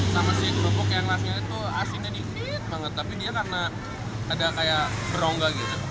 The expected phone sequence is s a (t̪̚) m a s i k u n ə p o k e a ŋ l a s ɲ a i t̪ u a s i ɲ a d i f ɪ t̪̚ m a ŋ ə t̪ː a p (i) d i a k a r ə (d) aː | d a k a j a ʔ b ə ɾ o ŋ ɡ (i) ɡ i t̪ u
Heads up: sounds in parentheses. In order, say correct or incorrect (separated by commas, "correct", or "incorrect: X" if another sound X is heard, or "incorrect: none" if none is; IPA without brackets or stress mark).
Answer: incorrect: none, correct, incorrect: n, incorrect: a